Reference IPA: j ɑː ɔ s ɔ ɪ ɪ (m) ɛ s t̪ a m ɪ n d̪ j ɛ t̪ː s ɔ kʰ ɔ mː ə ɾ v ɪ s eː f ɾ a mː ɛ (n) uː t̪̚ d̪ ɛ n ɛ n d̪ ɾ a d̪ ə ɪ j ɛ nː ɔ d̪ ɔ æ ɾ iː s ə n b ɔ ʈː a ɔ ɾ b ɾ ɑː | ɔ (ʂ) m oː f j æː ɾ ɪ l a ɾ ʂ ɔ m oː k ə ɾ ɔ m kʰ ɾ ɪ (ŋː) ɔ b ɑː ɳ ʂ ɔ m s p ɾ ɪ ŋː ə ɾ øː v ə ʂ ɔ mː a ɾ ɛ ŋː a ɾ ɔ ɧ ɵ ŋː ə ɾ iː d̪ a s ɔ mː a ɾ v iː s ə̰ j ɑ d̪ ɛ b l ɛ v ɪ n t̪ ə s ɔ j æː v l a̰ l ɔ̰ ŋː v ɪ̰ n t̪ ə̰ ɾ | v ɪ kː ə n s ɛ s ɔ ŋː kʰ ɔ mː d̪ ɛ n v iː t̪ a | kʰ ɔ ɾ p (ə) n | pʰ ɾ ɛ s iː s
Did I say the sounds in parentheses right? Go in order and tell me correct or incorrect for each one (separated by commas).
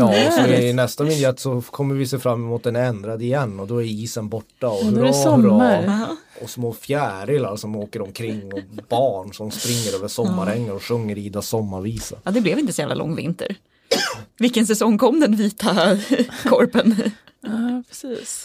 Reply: incorrect, incorrect, incorrect, correct, correct